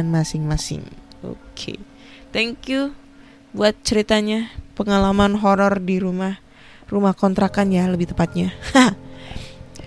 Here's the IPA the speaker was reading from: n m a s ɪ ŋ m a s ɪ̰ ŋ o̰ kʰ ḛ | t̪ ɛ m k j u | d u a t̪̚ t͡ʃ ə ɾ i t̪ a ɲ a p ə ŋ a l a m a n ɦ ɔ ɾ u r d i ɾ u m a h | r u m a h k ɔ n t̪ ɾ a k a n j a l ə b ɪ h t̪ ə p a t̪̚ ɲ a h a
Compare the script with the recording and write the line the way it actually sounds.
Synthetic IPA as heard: n m a s ɪ ŋ m a s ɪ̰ ŋ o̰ kʰ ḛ | t̪ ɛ ŋ k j u | b u a t̪̚ t͡ʃ ə ɾ i t̪ a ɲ a p ə ŋ a l a m a n ɦ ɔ ɾ ɔ r d i ɾ u m a h | r u m a h k ɔ n t̪ ɾ a k a n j a l ə b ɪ h t̪ ə p a t̪̚ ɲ a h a